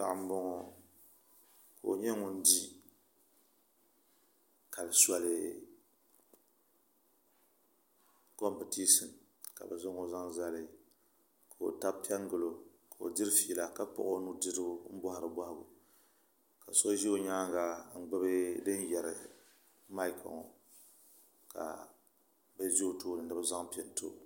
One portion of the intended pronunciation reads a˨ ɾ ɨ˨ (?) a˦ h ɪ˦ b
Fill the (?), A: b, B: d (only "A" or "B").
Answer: A